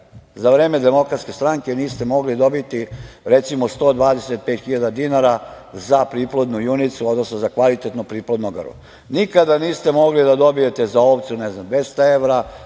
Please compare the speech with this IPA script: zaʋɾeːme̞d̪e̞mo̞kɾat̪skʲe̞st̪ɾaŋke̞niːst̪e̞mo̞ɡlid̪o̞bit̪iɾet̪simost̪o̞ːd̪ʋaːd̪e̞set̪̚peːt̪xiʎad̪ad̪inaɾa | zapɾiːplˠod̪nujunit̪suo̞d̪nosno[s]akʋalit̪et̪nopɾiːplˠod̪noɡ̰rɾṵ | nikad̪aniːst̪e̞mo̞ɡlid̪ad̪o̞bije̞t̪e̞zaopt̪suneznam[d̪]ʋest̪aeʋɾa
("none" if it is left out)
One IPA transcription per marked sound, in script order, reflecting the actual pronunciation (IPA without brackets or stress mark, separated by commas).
z, d̪